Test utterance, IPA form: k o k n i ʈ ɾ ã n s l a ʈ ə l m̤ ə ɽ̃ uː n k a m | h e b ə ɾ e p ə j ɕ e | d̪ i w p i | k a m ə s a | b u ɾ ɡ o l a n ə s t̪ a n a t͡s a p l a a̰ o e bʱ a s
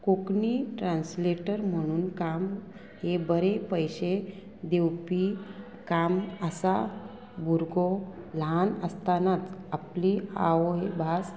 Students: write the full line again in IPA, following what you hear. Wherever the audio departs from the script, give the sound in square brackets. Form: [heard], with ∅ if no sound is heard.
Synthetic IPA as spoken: k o k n i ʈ ɾ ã n s l [e] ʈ ə [ɾ] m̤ ə ɽ̃ uː n k a m | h e b ə ɾ e p ə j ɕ e | d̪ [e] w p i | k a m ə s a | b u ɾ ɡ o l a n ə s t̪ a n a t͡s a p l [i] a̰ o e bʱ a s